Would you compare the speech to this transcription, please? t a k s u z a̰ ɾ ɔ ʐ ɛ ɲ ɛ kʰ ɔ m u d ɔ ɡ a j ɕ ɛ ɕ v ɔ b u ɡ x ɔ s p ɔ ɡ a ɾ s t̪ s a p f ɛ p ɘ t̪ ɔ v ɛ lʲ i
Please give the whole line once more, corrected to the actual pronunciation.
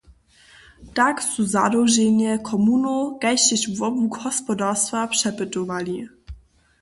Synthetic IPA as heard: t a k s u z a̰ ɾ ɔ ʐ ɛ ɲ ɛ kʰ ɔ m u n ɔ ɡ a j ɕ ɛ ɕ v ɔ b u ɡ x ɔ s p ɔ d a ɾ s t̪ f a p ʂ ɛ p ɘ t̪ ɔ v a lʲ i